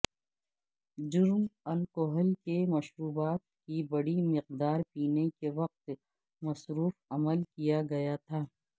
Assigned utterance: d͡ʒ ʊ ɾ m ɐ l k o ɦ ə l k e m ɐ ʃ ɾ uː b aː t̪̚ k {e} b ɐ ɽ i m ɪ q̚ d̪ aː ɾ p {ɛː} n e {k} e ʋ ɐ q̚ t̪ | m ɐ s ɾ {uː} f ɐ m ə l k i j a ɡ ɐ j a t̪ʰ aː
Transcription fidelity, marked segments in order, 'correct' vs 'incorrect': incorrect: i, incorrect: iː, correct, correct

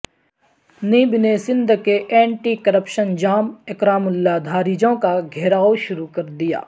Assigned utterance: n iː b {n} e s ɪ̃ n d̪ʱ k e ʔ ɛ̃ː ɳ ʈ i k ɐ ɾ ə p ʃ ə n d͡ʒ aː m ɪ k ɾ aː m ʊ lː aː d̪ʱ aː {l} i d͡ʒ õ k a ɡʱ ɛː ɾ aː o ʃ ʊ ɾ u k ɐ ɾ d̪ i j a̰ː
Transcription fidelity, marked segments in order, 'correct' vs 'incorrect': correct, incorrect: ɾ

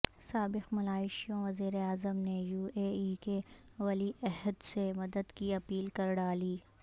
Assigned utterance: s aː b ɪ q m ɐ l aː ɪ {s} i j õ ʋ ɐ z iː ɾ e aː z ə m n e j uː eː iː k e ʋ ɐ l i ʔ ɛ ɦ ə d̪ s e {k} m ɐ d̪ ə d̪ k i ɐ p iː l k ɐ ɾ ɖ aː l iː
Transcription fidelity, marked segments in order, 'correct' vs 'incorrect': incorrect: ʃ, incorrect: none

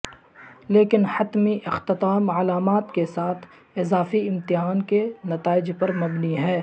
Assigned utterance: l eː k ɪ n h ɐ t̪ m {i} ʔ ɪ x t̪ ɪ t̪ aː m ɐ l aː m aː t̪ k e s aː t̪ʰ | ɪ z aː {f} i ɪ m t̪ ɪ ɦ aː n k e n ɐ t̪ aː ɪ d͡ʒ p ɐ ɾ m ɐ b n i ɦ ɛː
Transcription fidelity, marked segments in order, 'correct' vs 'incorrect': correct, correct

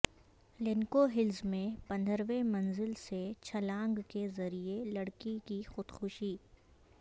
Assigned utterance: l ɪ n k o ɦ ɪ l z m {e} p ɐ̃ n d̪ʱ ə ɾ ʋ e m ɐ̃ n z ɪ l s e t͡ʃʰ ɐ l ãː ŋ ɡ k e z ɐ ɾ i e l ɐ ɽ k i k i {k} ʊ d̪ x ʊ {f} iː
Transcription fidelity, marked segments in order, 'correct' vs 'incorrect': incorrect: ẽ, incorrect: x, incorrect: ʃ

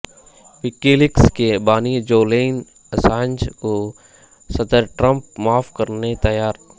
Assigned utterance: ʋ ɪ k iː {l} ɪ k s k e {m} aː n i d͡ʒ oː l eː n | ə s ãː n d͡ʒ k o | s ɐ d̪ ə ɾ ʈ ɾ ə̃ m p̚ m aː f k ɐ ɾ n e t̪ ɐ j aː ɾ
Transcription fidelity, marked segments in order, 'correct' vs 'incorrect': correct, incorrect: b

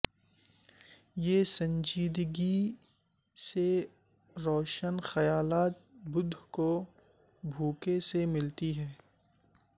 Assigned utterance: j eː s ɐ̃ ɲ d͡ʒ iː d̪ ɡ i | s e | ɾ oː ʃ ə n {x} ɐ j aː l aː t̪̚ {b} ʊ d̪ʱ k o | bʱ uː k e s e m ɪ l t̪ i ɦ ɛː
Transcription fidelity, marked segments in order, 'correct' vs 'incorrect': correct, correct

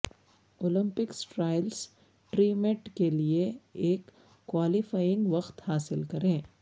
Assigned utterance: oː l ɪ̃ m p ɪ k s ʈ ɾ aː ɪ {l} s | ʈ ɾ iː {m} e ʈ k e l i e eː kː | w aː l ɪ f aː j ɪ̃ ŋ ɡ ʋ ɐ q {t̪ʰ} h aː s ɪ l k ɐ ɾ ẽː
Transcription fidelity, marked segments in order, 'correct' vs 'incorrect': correct, correct, incorrect: t̪

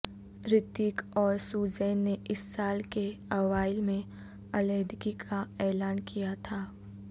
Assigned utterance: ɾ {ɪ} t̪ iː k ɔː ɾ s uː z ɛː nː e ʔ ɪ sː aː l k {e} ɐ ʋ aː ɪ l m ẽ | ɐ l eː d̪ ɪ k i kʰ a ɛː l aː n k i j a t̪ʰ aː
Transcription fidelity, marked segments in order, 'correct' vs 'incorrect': correct, correct

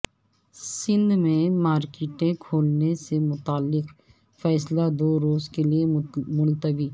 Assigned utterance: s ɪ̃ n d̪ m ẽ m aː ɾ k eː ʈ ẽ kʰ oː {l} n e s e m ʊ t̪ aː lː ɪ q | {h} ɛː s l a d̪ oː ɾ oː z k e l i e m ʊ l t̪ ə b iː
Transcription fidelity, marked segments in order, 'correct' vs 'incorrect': correct, incorrect: f

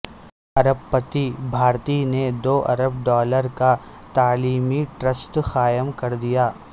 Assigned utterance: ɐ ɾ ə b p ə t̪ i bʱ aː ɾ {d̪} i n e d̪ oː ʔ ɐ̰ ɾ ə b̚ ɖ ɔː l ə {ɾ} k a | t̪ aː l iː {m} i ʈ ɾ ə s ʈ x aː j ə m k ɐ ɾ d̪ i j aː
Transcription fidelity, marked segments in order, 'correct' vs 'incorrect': incorrect: t̪, correct, correct

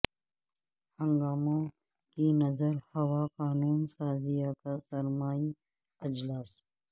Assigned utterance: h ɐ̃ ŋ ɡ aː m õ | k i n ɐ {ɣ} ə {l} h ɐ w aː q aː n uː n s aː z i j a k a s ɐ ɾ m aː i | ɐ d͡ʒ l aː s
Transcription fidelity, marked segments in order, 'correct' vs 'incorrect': incorrect: z, incorrect: ɾ

